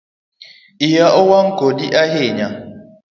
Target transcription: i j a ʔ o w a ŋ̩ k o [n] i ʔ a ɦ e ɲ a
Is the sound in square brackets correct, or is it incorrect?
incorrect